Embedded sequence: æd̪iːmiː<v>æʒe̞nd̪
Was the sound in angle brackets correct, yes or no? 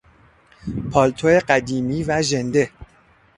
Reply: yes